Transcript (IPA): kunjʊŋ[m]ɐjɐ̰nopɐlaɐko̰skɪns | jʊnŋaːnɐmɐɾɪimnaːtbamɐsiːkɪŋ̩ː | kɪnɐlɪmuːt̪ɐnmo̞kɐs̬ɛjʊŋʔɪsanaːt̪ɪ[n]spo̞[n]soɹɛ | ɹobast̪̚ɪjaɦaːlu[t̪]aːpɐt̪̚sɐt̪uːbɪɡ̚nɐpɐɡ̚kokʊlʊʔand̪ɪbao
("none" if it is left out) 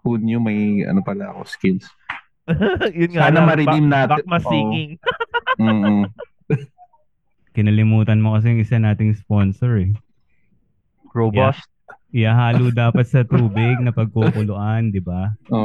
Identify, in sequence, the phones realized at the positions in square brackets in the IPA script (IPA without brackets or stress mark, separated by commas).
m, ŋ, n, d̪